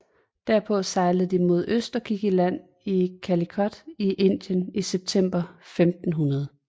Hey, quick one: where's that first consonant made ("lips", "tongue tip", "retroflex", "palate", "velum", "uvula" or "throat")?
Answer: tongue tip